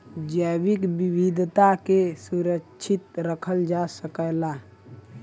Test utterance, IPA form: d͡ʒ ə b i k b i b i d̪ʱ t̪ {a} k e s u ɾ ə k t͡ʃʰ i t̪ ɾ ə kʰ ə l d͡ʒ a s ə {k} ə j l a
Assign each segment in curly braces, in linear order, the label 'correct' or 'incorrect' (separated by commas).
correct, correct